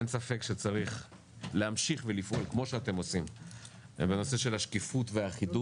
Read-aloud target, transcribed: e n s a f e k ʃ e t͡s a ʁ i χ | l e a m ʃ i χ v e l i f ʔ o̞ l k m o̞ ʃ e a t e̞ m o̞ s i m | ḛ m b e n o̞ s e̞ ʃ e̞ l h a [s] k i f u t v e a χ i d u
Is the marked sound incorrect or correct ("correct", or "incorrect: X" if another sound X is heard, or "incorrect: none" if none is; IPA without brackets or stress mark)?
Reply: incorrect: ʃ